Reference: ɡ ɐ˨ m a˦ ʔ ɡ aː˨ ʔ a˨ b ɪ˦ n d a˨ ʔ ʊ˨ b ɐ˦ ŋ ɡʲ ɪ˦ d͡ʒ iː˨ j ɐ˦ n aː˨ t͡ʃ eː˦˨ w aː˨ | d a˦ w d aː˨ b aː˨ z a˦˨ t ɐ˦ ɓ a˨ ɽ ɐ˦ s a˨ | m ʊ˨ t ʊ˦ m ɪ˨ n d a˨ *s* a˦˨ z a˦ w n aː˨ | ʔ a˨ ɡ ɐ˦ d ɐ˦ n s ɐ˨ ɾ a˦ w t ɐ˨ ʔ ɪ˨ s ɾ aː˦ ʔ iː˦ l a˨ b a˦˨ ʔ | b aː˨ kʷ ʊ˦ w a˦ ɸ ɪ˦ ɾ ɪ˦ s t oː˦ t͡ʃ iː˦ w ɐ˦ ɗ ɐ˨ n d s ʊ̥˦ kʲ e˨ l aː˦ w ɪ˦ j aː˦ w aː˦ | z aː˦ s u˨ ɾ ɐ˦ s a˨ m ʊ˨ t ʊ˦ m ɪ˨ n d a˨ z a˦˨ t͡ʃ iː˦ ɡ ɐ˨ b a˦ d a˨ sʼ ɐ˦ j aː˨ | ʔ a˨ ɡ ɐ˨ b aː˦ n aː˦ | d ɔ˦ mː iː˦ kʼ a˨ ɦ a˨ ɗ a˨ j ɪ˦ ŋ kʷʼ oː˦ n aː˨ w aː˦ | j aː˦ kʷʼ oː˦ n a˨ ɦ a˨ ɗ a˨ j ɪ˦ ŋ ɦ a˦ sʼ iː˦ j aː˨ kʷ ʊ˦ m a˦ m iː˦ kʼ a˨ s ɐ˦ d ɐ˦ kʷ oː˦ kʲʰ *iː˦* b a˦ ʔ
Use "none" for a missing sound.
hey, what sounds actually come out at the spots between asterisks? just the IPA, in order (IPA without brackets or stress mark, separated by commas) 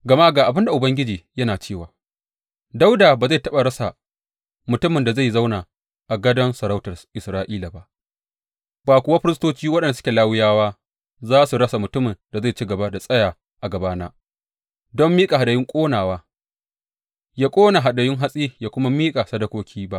z, iː˦